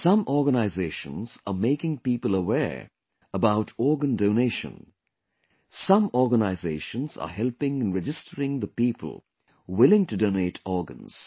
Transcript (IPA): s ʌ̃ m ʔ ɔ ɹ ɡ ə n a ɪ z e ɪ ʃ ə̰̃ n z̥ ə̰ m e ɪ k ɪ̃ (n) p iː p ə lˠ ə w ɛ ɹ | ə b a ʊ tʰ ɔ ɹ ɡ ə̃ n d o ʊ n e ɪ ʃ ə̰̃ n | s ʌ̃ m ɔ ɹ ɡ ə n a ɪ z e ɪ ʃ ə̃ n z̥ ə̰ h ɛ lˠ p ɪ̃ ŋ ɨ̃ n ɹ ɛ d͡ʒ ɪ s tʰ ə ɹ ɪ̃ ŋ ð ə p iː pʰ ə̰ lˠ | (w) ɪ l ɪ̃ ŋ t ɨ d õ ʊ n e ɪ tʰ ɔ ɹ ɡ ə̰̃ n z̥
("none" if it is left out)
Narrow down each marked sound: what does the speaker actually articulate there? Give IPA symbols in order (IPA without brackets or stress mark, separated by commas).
ŋ, w